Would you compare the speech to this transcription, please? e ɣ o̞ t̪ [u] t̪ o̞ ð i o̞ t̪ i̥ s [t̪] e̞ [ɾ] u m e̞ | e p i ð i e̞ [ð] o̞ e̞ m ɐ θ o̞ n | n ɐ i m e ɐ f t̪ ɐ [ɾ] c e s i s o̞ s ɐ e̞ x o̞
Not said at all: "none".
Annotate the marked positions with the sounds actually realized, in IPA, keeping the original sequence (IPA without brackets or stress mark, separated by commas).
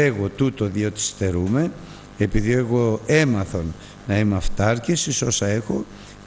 u, t̪, ɾ, ɣ, ɾ